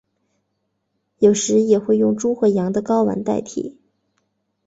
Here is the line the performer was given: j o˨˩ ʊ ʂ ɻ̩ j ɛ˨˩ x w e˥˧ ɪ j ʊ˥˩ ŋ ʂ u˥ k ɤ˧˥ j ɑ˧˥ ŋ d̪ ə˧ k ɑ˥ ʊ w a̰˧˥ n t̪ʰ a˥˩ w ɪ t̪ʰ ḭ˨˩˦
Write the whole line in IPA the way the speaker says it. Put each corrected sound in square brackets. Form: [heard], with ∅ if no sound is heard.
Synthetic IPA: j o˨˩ ʊ ʂ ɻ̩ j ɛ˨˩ x w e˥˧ ɪ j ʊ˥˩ ŋ [ʈ͡ʂ] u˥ [x] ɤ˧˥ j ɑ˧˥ ŋ d̪ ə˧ k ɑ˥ ʊ w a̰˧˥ n [t̪] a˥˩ [∅] ɪ t̪ʰ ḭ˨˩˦